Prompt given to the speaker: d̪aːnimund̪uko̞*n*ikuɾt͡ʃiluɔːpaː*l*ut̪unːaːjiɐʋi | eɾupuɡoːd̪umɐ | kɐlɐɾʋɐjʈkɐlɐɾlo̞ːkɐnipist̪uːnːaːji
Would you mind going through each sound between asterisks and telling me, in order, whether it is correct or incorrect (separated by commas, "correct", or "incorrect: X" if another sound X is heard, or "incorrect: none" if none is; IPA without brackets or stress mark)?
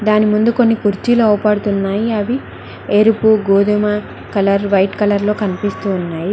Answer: incorrect: nː, incorrect: ɽ